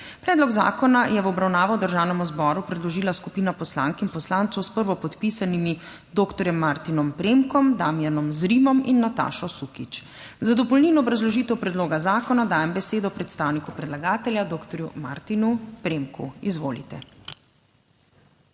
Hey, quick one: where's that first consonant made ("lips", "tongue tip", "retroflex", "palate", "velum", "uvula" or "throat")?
lips